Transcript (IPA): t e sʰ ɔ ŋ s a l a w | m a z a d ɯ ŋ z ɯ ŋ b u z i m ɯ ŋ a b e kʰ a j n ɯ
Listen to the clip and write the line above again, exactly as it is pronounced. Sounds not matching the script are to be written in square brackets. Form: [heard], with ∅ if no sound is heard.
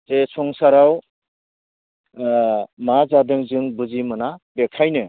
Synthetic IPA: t e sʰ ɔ ŋ s a [ɾ] a w | m a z a d ɯ ŋ z ɯ ŋ b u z i m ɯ [n] a b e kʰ a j n ɯ